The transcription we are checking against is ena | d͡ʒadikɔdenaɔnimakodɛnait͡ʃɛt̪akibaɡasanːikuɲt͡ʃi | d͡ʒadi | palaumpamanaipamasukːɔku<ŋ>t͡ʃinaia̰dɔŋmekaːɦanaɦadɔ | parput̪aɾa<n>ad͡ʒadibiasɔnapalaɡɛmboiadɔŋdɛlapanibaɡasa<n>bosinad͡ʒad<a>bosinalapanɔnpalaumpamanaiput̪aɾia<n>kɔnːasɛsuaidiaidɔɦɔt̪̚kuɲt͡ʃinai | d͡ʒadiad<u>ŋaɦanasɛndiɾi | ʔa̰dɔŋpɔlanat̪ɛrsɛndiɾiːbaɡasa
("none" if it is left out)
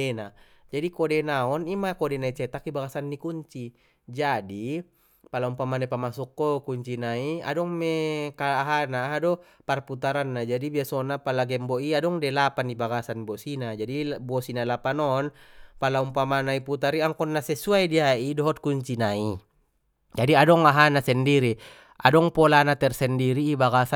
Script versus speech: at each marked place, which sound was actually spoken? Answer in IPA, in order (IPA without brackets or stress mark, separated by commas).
ɲ, nː, n, i, ŋ, ɔ